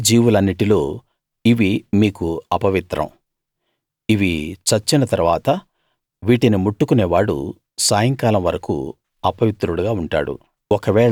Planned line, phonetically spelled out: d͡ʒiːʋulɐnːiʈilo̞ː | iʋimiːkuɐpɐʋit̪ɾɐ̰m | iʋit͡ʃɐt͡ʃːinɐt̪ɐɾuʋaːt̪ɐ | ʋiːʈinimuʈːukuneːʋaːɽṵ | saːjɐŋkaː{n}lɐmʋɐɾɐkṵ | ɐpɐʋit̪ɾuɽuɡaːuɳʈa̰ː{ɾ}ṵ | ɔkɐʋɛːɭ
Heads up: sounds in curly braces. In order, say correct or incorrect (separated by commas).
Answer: incorrect, incorrect